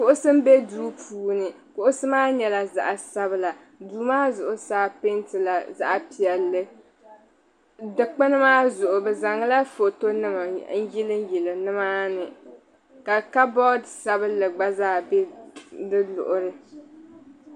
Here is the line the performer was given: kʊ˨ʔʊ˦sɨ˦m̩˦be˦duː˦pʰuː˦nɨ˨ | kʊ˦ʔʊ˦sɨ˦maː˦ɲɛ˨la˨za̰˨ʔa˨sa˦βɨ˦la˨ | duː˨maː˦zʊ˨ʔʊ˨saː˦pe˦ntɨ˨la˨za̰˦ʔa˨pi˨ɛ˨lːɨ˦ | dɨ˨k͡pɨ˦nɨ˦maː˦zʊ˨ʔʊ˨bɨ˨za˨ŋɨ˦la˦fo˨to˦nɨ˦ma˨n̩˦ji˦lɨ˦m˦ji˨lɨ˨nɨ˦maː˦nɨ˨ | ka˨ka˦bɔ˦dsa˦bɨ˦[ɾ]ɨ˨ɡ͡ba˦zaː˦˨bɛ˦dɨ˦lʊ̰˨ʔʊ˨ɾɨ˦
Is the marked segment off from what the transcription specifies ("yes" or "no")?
yes